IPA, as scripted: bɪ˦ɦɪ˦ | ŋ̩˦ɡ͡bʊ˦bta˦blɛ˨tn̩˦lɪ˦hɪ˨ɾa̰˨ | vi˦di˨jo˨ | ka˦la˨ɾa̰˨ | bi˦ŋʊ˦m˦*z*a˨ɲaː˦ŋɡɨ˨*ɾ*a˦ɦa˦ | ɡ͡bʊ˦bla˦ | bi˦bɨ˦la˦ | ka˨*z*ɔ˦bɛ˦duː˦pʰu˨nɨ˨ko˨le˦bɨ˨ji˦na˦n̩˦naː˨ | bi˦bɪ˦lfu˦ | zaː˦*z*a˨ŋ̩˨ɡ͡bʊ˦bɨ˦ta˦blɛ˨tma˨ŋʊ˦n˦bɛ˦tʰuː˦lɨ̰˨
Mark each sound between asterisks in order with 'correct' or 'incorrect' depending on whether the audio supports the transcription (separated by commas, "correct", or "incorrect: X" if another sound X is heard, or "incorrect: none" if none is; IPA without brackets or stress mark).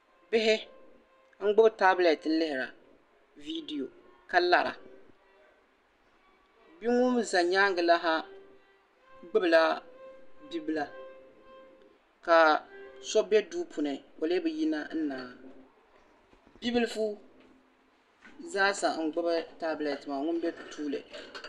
correct, incorrect: l, incorrect: s, incorrect: s